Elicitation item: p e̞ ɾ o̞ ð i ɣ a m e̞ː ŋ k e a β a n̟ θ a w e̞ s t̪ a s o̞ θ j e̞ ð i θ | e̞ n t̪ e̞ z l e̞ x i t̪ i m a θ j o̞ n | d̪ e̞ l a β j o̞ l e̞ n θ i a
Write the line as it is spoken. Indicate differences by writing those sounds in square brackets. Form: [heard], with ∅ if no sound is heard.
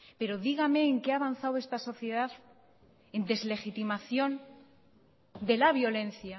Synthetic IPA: p e̞ ɾ o̞ ð i ɣ a m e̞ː ŋ k e a β a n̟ θ a w e̞ s t̪ a s o̞ θ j e̞ ð [a] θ | e̞ n [d̪] e̞ z l e̞ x i t̪ i m a θ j o̞ n | d̪ e̞ l a β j o̞ l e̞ n θ [j] a